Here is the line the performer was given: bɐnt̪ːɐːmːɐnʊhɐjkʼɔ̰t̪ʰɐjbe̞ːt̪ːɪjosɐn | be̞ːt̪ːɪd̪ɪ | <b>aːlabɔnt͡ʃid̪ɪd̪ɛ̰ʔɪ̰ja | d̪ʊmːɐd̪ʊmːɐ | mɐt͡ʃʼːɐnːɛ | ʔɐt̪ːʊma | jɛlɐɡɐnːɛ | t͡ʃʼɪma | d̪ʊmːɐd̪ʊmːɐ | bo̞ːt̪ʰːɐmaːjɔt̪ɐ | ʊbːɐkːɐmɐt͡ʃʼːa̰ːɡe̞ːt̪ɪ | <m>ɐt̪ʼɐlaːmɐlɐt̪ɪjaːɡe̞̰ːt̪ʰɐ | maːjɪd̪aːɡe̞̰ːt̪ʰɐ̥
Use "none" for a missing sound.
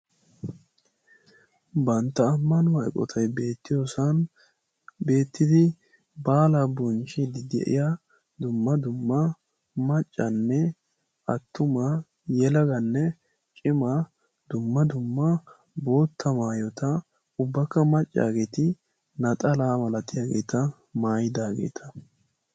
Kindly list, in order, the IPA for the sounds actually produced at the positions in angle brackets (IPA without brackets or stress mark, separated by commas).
b, n